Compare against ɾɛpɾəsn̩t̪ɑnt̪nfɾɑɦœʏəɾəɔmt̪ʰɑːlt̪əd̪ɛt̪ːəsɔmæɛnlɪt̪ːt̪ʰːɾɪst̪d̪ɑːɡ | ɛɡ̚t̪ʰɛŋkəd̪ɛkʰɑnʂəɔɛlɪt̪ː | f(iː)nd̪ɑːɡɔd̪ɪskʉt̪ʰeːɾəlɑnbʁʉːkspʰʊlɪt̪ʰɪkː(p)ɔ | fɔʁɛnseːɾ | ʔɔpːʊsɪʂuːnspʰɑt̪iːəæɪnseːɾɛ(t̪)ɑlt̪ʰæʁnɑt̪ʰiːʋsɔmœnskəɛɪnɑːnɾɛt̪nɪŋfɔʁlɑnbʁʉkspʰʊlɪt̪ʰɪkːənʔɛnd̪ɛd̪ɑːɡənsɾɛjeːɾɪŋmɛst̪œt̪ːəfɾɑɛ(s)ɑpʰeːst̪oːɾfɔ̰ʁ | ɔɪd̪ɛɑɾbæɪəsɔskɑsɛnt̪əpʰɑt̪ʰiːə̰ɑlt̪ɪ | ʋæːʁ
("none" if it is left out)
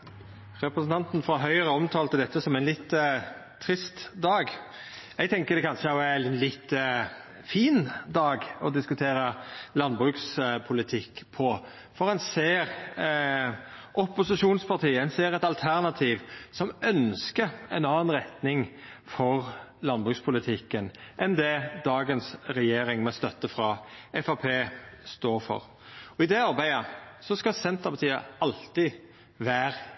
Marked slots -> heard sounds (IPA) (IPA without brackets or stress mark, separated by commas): iː, pʰ, t̪, f